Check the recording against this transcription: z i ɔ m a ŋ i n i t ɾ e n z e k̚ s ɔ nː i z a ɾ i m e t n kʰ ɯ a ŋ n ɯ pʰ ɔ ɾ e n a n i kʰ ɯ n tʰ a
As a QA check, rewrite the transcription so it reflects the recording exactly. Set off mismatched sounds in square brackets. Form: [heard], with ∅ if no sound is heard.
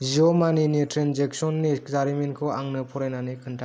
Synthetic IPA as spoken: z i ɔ m a [n] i n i t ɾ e n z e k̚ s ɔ nː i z a ɾ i m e [∅] n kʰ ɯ a ŋ n ɯ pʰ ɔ ɾ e n a n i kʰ ɯ n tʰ a